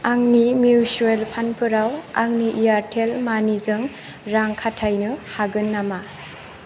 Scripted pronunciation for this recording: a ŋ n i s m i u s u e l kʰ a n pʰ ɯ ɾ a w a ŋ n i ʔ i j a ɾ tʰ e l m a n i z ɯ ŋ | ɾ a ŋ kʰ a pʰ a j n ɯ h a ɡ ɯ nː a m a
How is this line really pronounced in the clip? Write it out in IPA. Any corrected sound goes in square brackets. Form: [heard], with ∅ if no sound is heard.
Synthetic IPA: a ŋ n i [∅] m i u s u e l [pʰ] a n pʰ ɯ ɾ a w a ŋ n i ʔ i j a ɾ tʰ e l m a n i z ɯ ŋ | ɾ a ŋ kʰ a [tʰ] a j n ɯ h a ɡ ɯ nː a m a